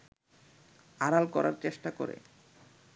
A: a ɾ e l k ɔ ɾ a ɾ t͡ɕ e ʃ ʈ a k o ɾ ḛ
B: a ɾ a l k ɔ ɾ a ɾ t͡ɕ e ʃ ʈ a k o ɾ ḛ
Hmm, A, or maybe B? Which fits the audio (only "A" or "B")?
B